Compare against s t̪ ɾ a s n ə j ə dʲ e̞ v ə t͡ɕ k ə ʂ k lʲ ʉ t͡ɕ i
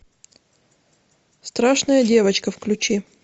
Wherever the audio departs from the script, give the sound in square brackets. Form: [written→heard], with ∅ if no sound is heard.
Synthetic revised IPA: s t̪ ɾ a [s→ʂ] n ə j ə dʲ e̞ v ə t͡ɕ k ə [ʂ→f] k lʲ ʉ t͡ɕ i

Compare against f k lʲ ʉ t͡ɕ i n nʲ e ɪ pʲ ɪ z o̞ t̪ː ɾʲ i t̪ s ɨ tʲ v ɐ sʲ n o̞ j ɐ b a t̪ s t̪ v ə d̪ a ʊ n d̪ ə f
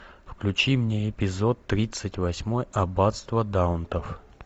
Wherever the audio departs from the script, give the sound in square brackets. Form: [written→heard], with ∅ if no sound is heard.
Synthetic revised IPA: f k lʲ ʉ t͡ɕ i [n→m] nʲ e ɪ pʲ ɪ z o̞ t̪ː ɾʲ i t̪ s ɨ tʲ v ɐ sʲ [n→m] o̞ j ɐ b a t̪ s t̪ v ə d̪ a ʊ n [d̪→t̪] ə f

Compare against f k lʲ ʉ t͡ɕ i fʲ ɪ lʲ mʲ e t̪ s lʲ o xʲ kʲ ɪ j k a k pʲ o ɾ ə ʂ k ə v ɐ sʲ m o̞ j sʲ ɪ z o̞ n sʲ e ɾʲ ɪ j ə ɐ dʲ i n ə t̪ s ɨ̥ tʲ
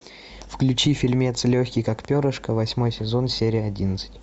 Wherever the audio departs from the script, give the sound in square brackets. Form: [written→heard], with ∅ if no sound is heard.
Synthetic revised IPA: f k lʲ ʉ t͡ɕ i fʲ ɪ lʲ mʲ e t̪ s lʲ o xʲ kʲ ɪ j k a k pʲ o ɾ ə ʂ k ə v ɐ sʲ m o̞ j sʲ ɪ z o̞ n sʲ e ɾʲ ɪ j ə ɐ dʲ i n ə t̪ s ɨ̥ tʲ

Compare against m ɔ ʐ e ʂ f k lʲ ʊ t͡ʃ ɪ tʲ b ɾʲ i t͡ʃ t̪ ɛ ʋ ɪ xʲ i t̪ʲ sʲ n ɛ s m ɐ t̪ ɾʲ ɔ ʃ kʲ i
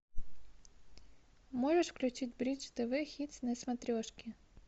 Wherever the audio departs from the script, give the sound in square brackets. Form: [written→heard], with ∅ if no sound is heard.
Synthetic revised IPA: m ɔ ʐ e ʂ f k lʲ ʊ t͡ʃ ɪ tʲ b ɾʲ i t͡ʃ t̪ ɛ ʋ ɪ xʲ i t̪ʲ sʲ n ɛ s m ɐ t̪ ɾʲ ɔ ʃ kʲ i

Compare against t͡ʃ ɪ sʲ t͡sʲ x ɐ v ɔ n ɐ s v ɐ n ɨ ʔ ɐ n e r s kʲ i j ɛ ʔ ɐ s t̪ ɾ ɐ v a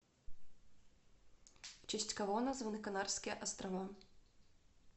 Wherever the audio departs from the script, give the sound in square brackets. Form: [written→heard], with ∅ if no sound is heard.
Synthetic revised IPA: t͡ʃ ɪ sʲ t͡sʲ [x→k] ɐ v ɔ n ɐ [s→z] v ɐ n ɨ [ʔ→k] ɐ n [e→a] r s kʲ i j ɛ ʔ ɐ s t̪ ɾ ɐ v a

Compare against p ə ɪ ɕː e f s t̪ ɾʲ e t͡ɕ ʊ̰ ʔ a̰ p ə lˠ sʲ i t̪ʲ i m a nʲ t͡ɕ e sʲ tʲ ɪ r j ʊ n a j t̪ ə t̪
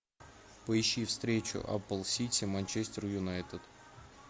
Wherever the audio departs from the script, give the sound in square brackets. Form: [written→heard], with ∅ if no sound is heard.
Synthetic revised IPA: p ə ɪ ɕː [e→i] f s t̪ ɾʲ e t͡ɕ ʊ̰ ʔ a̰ p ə lˠ sʲ i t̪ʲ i m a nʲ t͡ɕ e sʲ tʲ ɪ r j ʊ n a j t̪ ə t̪

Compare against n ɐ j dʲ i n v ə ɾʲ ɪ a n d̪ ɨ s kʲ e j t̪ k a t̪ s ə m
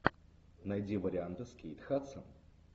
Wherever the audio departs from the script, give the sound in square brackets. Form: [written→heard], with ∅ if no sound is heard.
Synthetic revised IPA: n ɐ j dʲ i [n→∅] v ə ɾʲ ɪ a n [d̪→t̪] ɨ s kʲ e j t̪ [k→x] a t̪ s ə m

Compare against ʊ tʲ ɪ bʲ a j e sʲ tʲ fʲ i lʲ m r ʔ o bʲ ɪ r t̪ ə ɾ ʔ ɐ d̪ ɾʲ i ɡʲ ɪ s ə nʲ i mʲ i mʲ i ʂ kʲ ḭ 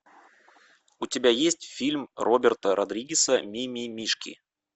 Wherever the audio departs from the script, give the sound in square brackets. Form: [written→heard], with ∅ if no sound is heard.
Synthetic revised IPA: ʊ tʲ ɪ bʲ a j e sʲ tʲ fʲ i lʲ m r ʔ o bʲ ɪ r t̪ ə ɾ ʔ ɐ d̪ ɾʲ i ɡʲ ɪ s ə [nʲ→mʲ] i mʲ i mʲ i ʂ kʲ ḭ

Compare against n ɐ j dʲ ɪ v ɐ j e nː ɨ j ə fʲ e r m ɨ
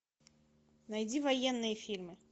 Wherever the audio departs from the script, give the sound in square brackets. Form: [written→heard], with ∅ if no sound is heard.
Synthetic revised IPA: n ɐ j dʲ [ɪ→i] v ɐ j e nː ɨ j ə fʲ [e→i] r m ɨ

